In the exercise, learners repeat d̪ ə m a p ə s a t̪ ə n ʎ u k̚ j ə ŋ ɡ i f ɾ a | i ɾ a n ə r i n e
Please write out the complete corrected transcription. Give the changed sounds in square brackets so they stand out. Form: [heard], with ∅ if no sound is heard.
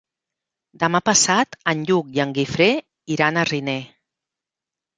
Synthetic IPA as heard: d̪ ə m a p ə s a t̪ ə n ʎ u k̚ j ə ŋ ɡ i f ɾ [e] | i ɾ a n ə r i n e